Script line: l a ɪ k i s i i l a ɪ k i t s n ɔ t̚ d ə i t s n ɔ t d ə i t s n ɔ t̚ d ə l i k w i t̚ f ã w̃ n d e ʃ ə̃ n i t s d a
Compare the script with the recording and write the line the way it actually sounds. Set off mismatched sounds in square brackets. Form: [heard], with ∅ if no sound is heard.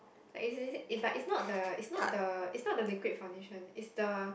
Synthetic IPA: l a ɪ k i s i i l a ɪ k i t s n ɔ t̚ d ə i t s n ɔ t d ə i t s n ɔ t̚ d ə l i k w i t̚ f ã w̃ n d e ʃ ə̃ n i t s d [ə]